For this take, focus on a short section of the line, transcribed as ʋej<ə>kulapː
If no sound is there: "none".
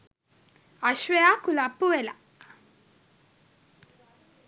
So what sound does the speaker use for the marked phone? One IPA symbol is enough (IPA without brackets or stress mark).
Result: a